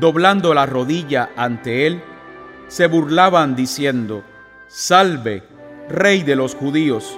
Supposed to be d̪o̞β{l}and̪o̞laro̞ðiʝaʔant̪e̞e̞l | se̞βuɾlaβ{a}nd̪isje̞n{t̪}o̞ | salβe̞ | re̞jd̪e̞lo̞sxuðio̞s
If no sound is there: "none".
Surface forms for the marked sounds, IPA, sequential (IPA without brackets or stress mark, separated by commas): l, a, d̪